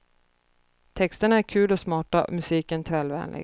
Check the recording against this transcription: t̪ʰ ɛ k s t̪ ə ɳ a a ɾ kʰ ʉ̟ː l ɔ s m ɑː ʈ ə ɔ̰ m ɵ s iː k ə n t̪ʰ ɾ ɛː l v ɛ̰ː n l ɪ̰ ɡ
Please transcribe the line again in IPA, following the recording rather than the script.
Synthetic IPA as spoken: t̪ʰ ɛ k s t̪ ə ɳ a æ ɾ kʰ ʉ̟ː l ɔ s m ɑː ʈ a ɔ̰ m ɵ s iː k ə n t̪ʰ ɾ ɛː l v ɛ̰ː n l ɪ̰ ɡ